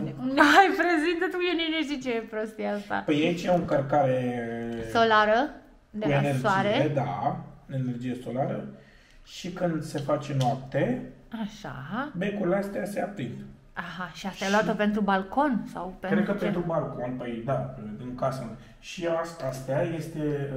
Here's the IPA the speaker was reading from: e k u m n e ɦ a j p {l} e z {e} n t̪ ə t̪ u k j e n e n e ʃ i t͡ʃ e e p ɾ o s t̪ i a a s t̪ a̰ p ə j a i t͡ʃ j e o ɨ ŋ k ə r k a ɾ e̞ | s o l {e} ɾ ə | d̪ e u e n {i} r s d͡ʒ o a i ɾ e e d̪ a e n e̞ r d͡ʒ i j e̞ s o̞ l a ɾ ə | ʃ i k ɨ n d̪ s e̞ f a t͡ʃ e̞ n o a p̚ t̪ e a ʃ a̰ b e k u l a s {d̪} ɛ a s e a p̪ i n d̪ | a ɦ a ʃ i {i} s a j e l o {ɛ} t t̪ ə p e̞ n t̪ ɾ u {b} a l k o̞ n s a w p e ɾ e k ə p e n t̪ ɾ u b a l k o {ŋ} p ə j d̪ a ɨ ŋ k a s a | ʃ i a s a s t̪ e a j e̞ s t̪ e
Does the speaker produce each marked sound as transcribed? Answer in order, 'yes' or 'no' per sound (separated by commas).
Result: no, no, no, no, no, no, no, yes, no